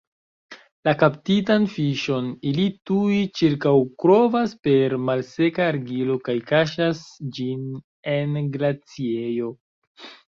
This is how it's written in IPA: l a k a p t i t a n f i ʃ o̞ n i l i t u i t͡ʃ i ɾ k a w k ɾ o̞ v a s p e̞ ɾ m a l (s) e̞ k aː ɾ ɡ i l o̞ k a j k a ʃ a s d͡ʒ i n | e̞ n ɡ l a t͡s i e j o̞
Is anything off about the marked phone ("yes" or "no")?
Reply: no